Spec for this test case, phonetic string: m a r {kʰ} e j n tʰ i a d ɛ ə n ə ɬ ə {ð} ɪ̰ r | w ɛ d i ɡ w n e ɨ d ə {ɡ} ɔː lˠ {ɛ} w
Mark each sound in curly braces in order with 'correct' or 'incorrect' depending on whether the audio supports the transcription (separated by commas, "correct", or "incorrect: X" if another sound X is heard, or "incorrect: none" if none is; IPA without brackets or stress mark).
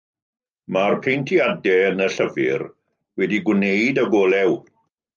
incorrect: pʰ, incorrect: v, correct, correct